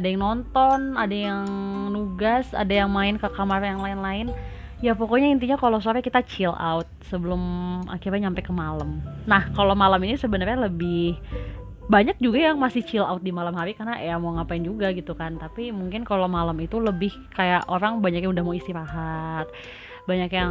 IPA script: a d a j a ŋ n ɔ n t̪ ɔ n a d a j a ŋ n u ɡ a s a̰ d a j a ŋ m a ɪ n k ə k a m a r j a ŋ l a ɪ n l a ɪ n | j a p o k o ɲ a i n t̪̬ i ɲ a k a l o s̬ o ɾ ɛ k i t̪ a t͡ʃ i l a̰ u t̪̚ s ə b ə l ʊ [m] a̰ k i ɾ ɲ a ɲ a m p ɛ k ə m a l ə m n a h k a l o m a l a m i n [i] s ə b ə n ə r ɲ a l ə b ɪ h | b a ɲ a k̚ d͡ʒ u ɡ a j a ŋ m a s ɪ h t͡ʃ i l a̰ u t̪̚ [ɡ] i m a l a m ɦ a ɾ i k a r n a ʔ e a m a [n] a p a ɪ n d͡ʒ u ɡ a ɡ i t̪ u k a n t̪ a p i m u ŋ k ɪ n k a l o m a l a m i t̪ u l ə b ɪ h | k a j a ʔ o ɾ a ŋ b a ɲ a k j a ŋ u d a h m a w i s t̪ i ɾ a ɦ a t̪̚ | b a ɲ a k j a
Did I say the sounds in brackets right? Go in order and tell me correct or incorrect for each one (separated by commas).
correct, correct, incorrect, incorrect